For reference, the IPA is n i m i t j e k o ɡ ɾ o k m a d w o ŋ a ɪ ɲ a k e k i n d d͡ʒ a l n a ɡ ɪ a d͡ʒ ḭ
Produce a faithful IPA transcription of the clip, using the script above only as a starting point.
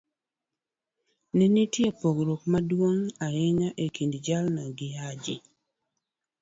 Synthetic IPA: n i n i t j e p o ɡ ɾ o k m a d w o ŋ a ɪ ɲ a ʔ e k i n d d͡ʒ a l n a ɡ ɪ a d͡ʒ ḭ